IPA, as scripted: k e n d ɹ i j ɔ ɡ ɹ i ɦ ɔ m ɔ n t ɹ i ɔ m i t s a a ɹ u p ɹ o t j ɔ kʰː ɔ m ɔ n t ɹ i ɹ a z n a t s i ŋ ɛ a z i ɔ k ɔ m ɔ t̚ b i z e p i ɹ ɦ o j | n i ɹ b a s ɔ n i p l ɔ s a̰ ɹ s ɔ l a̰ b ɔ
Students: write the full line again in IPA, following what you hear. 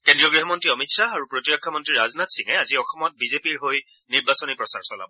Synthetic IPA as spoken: k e n d ɹ i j ɔ ɡ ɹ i ɦ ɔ m ɔ n t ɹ i ɔ m i t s a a ɹ u p ɹ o t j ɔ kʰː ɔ m ɔ n t ɹ i ɹ a z n a t s i ŋ ɛ a z i ɔ x ɔ m ɔ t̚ b i z e p i ɹ ɦ o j | n i ɹ b a s ɔ n i p ɹ ɔ s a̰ ɹ s ɔ l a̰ b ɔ